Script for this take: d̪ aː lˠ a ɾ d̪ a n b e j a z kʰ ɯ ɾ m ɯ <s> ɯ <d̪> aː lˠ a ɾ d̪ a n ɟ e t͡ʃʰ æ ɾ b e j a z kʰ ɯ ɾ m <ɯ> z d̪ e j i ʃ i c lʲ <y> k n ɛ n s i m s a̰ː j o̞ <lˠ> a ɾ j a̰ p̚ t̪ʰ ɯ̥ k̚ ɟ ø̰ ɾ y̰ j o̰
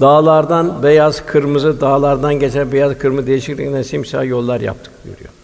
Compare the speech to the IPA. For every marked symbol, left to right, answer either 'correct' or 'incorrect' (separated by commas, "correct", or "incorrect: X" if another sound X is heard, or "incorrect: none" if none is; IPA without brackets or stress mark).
incorrect: z, correct, correct, incorrect: i, incorrect: lˠː